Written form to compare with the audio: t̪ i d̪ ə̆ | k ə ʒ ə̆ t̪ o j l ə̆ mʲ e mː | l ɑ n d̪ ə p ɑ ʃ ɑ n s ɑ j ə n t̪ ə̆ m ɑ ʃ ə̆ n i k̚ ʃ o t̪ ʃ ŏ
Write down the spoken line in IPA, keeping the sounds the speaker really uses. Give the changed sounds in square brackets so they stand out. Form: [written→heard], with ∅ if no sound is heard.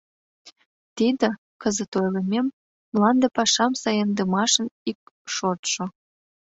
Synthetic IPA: t̪ i d̪ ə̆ | k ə [ʒ→z] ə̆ t̪ o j l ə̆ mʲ e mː | l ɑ n d̪ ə p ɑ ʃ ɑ [n→m] s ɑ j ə n [t̪→d̪] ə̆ m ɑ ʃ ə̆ n i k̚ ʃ o t̪ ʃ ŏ